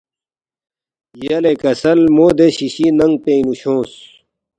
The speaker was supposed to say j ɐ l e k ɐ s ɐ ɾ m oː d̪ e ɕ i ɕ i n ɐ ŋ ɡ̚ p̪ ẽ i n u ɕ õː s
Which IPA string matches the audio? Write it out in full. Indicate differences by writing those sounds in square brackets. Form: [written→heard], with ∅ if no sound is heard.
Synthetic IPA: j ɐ l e k ɐ s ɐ [ɾ→l] m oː d̪ e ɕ i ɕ i n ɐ ŋ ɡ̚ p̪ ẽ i n u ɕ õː s